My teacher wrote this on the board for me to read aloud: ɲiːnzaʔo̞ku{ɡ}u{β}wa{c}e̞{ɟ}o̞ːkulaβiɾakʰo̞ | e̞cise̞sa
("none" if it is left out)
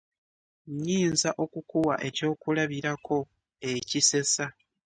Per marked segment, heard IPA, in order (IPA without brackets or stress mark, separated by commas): k, none, ʔ, c